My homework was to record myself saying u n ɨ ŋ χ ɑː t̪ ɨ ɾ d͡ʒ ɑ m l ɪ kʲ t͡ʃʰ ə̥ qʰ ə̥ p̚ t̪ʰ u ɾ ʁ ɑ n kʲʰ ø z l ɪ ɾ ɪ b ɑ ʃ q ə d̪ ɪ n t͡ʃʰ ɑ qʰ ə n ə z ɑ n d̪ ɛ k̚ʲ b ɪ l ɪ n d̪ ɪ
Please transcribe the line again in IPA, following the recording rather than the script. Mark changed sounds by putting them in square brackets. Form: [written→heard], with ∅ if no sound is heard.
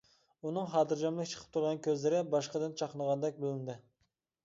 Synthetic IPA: u n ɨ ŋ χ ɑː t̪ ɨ ɾ d͡ʒ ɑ m l ɪ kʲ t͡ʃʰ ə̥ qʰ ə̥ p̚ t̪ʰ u ɾ ʁ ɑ n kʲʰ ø z l ɪ ɾ ɪ b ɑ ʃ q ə d̪ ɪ n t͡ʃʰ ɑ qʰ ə n ə [z→ʁ] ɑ n d̪ ɛ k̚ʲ b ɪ l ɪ n d̪ ɪ